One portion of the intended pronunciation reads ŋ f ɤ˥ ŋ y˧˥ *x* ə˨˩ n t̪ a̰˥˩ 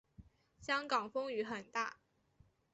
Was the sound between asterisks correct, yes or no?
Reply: yes